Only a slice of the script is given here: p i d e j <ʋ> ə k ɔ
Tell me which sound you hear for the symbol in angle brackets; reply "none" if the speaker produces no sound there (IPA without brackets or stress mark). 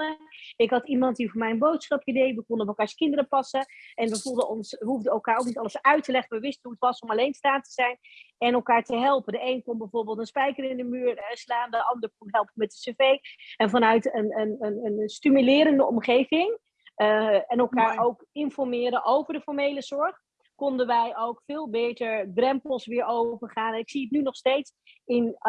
ʋ